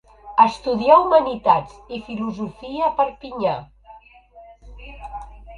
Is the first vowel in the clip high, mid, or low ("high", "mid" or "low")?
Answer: mid